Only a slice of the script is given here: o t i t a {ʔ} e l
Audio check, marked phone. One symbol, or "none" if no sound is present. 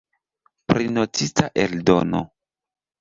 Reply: ʔ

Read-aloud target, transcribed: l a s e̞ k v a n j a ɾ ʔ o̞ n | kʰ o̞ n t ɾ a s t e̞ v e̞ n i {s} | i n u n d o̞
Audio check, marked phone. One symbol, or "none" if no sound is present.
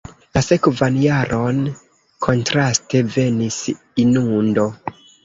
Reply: s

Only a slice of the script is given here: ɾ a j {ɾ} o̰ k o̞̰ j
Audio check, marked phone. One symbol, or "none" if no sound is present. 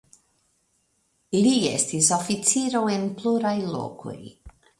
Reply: l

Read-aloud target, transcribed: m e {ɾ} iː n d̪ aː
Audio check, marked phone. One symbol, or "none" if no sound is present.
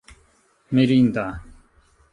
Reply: ɾ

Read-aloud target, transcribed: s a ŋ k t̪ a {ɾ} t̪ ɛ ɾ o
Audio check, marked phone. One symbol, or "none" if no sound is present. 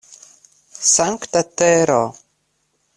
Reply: none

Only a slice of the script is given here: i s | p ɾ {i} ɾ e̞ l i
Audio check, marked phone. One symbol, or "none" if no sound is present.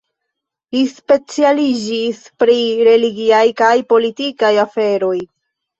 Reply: i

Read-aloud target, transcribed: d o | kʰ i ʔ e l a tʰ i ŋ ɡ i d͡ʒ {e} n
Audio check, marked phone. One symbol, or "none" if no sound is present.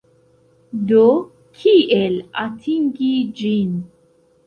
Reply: i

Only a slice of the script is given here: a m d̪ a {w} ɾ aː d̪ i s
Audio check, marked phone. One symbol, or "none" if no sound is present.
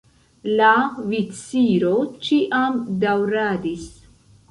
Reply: w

